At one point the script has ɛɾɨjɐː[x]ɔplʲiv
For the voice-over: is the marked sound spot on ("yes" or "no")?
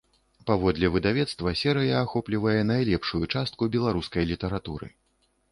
yes